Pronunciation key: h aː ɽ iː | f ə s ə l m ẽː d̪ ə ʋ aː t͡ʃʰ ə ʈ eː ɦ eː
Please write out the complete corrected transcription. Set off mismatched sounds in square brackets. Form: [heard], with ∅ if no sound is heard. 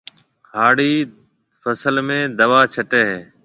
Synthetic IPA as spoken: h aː ɽ iː | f ə s ə l m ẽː d̪ ə ʋ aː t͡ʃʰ ə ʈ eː ɦ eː